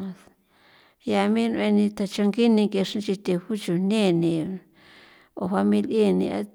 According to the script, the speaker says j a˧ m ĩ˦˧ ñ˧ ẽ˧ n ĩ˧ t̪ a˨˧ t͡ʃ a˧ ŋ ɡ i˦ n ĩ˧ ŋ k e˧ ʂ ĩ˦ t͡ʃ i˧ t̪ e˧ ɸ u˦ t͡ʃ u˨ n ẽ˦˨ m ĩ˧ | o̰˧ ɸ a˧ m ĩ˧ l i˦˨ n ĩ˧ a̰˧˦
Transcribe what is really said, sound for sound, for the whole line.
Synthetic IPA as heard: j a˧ m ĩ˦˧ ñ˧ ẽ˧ n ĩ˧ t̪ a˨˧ t͡ʃ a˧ ŋ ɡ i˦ n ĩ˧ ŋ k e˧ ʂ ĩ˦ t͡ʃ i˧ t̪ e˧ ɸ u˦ t͡ʃ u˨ n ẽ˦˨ n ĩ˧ | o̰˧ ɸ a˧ m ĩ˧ l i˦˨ n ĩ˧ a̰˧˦

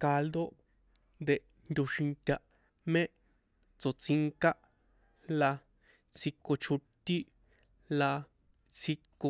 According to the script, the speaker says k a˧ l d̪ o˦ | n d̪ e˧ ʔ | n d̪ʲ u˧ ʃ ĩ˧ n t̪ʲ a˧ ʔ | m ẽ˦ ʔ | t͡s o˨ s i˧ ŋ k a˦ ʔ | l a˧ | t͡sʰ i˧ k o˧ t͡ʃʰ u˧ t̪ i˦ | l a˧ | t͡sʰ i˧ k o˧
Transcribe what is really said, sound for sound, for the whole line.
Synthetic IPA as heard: k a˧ l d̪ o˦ | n d̪ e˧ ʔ | n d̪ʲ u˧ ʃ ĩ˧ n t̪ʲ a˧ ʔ | m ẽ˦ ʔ | t͡s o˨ t͡s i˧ ŋ k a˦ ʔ | l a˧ | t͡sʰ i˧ k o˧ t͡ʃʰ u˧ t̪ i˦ | l a˧ | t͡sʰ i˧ k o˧

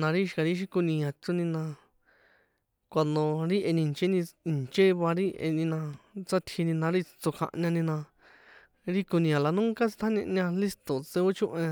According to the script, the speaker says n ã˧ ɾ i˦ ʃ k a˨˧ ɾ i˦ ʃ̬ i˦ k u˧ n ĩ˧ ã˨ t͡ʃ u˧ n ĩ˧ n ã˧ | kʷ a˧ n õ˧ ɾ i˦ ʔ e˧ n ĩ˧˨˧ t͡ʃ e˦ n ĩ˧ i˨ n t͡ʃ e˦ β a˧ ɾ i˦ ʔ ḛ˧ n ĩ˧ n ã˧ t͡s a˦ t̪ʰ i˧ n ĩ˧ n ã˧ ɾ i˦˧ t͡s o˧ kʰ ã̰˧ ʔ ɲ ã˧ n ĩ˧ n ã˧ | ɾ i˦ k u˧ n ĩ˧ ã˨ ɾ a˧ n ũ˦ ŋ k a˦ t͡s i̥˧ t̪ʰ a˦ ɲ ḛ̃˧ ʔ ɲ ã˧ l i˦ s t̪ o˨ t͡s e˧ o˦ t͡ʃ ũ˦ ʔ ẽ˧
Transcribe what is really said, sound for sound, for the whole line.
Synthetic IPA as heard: n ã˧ ɾ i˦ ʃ k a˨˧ ɾ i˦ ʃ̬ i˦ k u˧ n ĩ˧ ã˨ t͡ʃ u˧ n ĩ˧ n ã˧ | kʷ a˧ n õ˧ ɾ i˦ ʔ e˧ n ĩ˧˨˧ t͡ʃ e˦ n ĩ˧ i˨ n t͡ʃ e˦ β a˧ ɾ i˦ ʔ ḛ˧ n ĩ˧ n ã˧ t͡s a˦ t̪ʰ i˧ n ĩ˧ n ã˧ ɾ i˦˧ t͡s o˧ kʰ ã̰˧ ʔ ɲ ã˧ n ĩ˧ n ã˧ | ɾ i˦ k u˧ n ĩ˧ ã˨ l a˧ n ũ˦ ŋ k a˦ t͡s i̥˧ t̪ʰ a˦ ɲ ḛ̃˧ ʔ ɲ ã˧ l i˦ s t̪ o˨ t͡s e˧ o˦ t͡ʃ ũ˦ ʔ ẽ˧

